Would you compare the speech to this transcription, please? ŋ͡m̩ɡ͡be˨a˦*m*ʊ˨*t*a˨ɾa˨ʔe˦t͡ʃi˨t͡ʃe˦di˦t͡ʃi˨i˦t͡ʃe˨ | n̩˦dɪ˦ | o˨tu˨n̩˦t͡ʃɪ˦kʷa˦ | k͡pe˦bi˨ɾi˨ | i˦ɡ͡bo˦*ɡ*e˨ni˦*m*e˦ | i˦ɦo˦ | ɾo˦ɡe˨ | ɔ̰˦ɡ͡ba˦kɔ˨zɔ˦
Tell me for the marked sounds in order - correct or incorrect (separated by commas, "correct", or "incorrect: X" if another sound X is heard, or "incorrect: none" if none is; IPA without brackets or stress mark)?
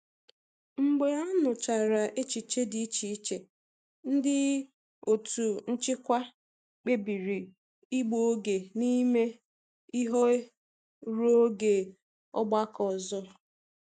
incorrect: n, incorrect: t͡ʃ, correct, correct